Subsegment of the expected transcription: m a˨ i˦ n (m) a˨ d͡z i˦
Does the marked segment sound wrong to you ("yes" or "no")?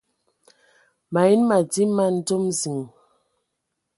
no